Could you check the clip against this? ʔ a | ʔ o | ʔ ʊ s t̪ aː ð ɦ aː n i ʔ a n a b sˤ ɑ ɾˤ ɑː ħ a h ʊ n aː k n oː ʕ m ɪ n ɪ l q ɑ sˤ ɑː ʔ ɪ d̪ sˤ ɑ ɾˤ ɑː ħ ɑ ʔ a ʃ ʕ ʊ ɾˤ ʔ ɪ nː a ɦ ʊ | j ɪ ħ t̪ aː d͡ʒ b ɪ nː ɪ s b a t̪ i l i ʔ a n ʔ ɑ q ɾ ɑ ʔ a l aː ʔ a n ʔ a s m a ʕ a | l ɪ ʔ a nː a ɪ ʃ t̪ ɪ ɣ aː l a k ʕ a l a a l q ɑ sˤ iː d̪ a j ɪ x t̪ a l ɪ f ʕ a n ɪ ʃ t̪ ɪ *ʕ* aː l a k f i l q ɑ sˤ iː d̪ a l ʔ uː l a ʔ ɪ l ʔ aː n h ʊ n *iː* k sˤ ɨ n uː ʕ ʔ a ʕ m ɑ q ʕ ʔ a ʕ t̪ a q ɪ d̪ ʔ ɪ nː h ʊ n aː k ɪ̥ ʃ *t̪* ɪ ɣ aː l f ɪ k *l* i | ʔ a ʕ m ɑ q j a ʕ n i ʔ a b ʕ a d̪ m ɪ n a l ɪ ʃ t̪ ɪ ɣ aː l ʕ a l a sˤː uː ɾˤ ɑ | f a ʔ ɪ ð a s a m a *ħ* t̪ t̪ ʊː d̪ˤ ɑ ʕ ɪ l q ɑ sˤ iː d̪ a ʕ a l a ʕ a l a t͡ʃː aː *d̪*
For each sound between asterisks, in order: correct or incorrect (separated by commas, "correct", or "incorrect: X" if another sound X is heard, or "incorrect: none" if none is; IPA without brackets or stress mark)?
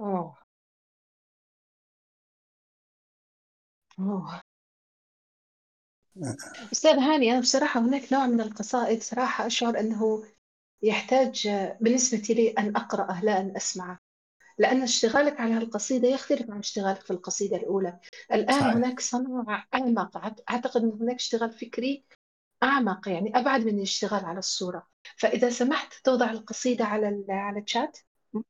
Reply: incorrect: ɣ, incorrect: aː, correct, incorrect: ɾ, correct, incorrect: t̪